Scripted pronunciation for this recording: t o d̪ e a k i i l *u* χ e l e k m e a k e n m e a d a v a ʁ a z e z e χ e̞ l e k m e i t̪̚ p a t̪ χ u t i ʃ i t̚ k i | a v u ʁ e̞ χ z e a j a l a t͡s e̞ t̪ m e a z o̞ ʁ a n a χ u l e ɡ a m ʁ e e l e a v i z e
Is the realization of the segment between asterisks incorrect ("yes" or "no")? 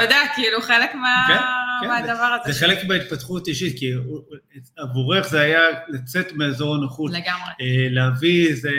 no